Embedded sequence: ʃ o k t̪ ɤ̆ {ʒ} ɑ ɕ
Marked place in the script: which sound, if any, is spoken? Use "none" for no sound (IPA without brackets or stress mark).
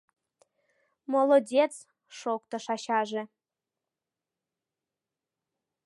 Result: ʃ